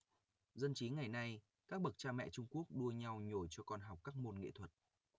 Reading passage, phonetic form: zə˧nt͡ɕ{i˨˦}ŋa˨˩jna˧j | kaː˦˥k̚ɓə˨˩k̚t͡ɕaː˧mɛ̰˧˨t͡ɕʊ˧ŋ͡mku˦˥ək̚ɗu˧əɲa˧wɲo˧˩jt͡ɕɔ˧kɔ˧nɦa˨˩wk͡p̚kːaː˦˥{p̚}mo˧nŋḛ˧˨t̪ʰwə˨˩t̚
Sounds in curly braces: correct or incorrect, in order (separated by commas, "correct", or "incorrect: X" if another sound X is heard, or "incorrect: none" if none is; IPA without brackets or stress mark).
correct, incorrect: k̚